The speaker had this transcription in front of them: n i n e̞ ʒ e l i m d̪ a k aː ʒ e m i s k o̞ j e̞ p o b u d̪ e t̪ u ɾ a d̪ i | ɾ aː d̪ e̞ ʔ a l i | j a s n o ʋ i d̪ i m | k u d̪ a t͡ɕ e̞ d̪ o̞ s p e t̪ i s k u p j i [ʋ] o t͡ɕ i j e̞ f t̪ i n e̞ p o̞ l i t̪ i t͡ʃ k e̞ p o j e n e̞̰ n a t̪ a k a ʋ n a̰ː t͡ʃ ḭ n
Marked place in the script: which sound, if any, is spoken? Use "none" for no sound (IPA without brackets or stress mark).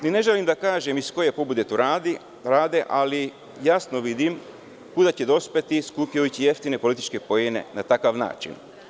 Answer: none